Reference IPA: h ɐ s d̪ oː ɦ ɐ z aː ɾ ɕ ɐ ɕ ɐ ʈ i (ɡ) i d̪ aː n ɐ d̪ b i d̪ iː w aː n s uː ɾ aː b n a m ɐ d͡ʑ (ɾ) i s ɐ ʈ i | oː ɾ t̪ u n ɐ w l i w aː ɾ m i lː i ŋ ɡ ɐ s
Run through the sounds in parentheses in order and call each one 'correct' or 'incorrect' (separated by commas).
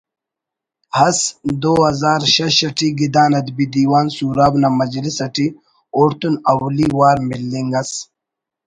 correct, incorrect